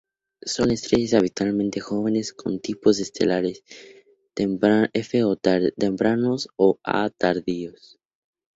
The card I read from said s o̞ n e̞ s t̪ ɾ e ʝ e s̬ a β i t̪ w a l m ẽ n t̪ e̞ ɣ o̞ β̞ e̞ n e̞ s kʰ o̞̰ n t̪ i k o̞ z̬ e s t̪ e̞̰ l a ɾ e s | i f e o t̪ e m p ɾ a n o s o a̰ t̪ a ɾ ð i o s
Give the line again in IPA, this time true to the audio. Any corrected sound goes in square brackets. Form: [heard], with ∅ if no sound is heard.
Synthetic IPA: s o̞ n e̞ s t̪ ɾ e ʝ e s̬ a β i t̪ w a l m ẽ n t̪ e̞ [x] o̞ β̞ e̞ n e̞ s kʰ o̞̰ n t̪ i [p] o̞ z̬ e s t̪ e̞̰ l a ɾ e s | [e] f e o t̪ e m p ɾ a n o s o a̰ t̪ a ɾ ð i o s